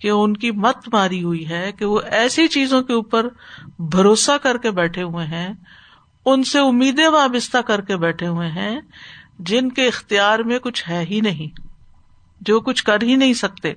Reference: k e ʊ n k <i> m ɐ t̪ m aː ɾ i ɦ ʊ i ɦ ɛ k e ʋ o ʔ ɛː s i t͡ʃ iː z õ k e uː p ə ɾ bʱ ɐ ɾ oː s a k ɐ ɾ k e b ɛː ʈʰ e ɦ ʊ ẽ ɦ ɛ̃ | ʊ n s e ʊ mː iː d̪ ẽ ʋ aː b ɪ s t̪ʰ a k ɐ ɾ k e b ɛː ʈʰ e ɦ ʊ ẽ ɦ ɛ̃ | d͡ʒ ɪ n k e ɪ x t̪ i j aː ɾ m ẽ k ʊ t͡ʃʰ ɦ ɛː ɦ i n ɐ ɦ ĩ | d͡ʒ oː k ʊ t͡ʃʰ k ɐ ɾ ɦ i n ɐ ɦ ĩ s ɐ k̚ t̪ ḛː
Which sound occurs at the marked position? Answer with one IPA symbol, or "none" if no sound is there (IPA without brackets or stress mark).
i